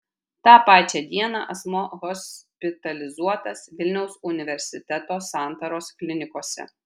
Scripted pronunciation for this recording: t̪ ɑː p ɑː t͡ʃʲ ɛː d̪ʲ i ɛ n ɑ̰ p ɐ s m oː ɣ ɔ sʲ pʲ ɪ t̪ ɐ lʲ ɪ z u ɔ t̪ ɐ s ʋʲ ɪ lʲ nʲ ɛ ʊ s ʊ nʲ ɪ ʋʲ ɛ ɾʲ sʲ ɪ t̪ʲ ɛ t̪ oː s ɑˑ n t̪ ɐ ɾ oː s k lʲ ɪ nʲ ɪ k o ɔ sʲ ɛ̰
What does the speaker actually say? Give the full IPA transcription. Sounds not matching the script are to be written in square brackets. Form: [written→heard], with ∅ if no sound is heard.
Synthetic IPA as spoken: t̪ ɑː p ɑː t͡ʃʲ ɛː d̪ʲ i ɛ n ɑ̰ [p→ʔ] ɐ s m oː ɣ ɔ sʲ pʲ ɪ t̪ ɐ lʲ ɪ z u ɔ t̪ ɐ s ʋʲ ɪ lʲ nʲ ɛ ʊ s ʊ nʲ ɪ ʋʲ ɛ ɾʲ sʲ ɪ t̪ʲ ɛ t̪ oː s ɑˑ n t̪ ɐ ɾ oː s k lʲ ɪ nʲ ɪ k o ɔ sʲ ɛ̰